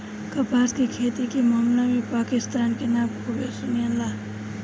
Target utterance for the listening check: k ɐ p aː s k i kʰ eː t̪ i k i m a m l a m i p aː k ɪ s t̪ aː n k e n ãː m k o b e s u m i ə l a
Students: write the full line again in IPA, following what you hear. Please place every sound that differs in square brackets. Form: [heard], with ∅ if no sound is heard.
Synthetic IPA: k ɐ p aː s k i kʰ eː t̪ i k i m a m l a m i p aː k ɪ s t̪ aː n k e n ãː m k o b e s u [n] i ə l a